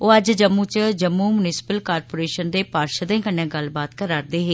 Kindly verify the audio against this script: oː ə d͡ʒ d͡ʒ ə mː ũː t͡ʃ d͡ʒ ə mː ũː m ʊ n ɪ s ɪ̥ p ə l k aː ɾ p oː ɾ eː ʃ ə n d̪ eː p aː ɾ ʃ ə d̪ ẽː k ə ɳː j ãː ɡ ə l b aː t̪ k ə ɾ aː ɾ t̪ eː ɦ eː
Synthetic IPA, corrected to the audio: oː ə d͡ʒ d͡ʒ ə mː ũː t͡ʃ d͡ʒ ə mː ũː m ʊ n ɪ s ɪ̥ p ə l k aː ɾ p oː ɾ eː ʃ ə n d̪ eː p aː ɾ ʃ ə d̪ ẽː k ə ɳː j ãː ɡ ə l b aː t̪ k ə ɾ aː ɾ d̪ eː ɦ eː